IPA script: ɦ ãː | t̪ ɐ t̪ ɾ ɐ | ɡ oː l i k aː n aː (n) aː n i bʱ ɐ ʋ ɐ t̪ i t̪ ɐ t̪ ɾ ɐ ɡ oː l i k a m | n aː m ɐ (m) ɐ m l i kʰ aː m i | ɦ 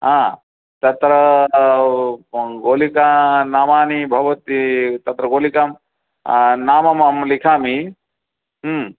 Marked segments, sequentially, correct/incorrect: incorrect: m, correct

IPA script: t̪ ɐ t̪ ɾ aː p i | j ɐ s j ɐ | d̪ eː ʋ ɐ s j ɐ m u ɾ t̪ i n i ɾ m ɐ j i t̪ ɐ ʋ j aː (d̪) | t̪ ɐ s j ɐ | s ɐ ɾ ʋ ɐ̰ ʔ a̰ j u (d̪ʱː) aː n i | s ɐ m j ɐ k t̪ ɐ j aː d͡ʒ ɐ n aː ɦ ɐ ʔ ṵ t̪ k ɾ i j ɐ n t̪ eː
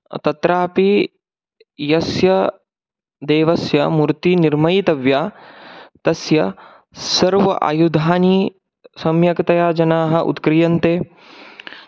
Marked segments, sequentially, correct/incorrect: incorrect: none, incorrect: d̪ʱ

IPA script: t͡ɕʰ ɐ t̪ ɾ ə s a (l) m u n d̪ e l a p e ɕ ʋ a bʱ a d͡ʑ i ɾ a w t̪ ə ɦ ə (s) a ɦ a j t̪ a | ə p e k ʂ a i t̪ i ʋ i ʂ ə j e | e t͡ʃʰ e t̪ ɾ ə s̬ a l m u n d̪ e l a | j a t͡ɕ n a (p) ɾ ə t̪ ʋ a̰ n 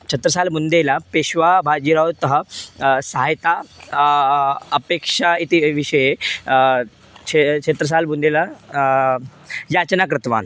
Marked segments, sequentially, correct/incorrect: correct, correct, incorrect: k

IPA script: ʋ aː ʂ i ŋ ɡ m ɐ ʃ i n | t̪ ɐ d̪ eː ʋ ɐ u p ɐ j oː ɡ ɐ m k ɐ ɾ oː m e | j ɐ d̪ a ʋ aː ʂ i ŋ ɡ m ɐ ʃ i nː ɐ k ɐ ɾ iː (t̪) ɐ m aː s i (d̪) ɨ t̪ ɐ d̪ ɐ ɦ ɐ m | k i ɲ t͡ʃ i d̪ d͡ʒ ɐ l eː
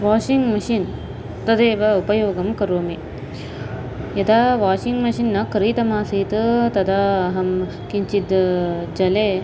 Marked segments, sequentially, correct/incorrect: correct, incorrect: t̪

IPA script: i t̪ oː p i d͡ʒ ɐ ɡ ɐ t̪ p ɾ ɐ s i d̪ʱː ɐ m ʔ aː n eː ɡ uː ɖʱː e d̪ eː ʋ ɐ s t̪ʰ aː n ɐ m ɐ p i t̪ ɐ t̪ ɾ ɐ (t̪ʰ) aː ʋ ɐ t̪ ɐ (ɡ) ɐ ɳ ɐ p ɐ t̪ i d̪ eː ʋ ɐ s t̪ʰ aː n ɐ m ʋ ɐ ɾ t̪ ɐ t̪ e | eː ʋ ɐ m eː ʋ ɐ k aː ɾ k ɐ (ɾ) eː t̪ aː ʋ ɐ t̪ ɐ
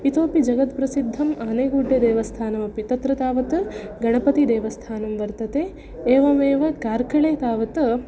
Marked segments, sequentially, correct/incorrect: incorrect: t̪, correct, incorrect: ɭ

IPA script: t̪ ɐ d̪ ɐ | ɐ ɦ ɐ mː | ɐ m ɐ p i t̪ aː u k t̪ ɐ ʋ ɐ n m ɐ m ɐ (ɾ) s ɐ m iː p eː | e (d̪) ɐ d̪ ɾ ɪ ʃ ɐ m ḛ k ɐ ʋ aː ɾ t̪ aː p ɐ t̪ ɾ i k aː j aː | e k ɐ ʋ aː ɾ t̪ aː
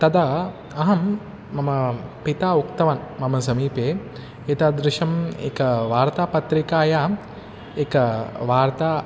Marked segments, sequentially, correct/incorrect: incorrect: none, incorrect: t̪

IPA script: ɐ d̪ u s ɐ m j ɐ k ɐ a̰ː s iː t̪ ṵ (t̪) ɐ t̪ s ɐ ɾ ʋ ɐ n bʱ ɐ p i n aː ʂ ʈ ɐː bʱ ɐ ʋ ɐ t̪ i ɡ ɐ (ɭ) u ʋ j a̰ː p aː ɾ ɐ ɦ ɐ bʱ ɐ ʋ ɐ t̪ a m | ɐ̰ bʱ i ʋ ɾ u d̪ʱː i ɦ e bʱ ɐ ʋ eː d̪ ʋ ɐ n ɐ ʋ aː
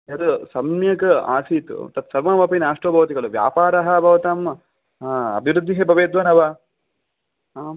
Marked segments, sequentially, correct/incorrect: correct, correct

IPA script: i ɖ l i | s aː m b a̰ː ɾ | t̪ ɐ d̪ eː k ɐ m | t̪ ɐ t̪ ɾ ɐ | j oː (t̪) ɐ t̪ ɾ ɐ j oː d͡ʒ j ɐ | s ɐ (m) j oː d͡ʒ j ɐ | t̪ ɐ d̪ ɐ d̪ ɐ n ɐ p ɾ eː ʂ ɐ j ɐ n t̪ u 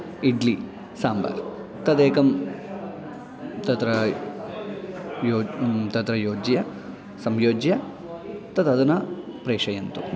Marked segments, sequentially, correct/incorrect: correct, correct

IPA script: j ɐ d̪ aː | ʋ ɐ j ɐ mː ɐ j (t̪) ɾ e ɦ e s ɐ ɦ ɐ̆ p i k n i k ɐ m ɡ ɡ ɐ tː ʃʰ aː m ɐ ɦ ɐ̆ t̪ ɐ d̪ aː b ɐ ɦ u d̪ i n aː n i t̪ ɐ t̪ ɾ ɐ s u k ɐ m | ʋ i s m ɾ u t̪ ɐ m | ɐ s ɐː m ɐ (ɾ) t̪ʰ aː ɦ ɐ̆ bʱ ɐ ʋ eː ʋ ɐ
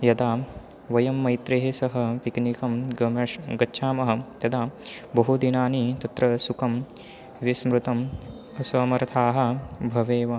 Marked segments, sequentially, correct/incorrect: correct, correct

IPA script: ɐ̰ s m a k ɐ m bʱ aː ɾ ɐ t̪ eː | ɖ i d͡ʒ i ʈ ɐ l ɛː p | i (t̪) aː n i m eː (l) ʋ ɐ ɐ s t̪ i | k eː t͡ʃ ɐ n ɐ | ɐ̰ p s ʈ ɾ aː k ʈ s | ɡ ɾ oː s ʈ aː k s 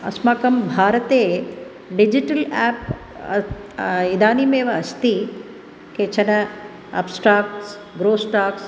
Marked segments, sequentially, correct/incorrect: incorrect: d̪, incorrect: none

